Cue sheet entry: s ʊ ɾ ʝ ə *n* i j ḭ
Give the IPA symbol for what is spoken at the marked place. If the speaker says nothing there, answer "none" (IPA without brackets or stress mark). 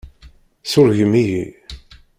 m